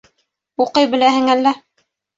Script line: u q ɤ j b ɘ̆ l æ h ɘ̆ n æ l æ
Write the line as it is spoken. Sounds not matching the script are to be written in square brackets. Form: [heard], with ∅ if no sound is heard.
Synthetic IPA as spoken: u q ɤ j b ɘ̆ l æ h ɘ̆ [ŋ] æ [lː] æ